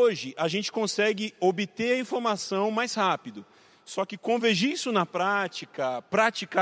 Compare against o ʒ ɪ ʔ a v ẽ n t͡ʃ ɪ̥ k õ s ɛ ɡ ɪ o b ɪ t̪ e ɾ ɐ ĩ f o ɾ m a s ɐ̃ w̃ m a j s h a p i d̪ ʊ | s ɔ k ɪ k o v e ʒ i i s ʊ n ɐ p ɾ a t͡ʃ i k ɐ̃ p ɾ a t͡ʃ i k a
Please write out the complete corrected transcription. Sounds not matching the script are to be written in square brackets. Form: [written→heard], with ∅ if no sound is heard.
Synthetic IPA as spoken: o ʒ ɪ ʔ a [v→ʒ] ẽ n t͡ʃ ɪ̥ k õ s ɛ ɡ ɪ o b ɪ t̪ e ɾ ɐ ĩ f o ɾ m a s ɐ̃ w̃ m a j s h a p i d̪ ʊ | s ɔ k ɪ k [o→õ] v e ʒ i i s ʊ n ɐ p ɾ a t͡ʃ i k [ɐ̃→ɐ] p ɾ a t͡ʃ i k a